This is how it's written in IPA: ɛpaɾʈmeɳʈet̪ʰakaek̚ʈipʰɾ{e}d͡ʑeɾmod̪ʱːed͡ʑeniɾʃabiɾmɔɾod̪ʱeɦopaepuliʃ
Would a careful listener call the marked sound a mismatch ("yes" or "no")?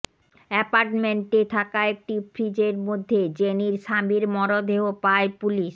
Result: yes